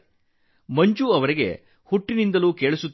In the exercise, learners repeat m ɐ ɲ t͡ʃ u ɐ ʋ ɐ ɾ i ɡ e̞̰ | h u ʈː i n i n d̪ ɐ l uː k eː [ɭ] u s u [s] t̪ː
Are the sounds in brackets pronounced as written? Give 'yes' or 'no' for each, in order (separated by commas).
yes, no